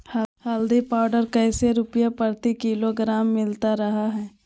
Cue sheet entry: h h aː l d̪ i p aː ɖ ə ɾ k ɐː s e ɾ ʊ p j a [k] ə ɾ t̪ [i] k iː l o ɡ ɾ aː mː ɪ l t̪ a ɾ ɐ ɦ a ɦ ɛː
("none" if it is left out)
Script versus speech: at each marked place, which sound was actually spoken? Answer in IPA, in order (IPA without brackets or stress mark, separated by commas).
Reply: p, i